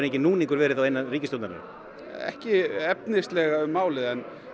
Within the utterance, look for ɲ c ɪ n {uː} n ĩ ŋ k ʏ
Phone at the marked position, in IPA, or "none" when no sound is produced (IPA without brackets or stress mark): uː